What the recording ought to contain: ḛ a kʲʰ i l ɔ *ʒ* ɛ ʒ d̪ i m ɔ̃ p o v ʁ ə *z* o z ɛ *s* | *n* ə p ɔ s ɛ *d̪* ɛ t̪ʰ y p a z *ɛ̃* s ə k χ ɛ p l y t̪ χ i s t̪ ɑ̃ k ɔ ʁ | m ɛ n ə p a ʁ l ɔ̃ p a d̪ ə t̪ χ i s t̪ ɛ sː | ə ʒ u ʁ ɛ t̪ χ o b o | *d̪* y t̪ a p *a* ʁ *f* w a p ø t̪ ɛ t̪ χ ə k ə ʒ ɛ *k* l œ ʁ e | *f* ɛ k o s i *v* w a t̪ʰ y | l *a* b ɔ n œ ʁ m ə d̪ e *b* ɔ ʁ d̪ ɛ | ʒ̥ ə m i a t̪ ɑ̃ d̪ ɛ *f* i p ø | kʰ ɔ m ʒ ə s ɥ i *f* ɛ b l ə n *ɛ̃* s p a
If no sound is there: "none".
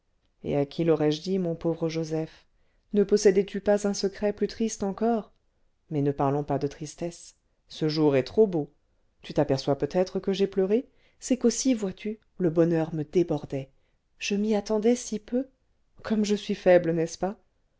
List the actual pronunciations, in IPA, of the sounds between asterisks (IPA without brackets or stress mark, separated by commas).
ʁ, ʒ, f, n, d̪, ɛ̃, t̪, ɛ, s, p, s, v, ə, b, s, f, ɛ